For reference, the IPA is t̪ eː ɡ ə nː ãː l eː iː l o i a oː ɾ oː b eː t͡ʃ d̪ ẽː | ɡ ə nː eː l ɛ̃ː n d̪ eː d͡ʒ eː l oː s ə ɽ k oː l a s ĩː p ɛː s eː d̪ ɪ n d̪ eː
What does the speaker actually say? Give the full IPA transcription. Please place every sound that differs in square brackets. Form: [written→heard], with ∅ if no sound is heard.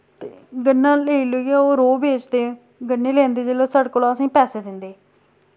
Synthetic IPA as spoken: t̪ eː ɡ ə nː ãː l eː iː l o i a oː ɾ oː b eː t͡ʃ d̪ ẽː | ɡ ə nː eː l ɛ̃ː n d̪ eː d͡ʒ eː l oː s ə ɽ k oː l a s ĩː p ɛː s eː d̪ ɪ n d̪ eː